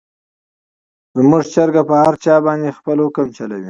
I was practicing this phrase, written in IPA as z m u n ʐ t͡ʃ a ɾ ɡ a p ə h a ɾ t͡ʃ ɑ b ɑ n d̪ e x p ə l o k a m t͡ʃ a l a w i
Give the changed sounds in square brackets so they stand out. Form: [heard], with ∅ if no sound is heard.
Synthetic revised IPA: z m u [∅] ʐ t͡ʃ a ɾ ɡ a p ə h a ɾ t͡ʃ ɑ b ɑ n d̪ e x p ə l o k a m t͡ʃ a l a w i